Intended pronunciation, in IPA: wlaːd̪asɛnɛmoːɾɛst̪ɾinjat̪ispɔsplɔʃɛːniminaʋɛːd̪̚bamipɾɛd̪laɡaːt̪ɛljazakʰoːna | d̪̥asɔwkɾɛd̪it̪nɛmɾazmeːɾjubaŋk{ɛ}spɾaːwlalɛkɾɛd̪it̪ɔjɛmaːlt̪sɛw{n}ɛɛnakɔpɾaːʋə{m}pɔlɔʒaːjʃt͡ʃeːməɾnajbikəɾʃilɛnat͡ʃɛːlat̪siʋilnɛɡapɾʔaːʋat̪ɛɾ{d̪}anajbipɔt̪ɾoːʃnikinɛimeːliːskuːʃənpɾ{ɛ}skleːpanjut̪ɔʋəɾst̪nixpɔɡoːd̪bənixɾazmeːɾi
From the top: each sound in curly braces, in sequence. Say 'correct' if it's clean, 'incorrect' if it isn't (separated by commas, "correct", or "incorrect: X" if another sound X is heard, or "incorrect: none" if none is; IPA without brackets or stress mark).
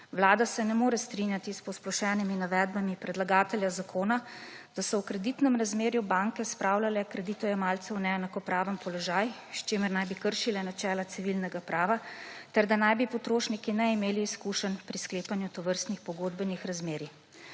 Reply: correct, correct, correct, correct, incorrect: i